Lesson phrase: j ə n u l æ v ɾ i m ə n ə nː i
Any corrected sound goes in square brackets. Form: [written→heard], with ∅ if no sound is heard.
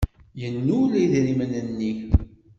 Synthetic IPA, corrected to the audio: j ə [n→nː] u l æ [v→ð] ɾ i m ə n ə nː i